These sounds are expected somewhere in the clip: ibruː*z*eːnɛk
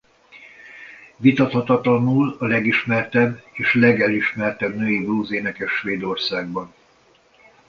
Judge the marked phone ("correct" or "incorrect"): correct